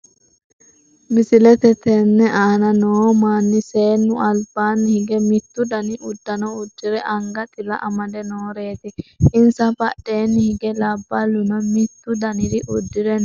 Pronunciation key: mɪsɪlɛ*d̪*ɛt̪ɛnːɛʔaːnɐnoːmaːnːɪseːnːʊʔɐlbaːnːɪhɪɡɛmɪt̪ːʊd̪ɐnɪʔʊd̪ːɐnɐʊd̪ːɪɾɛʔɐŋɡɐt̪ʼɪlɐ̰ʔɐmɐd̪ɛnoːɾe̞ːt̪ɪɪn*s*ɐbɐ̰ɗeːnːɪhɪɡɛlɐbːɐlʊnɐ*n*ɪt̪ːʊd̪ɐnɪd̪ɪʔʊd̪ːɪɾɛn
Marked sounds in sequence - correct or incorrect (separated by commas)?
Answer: incorrect, correct, incorrect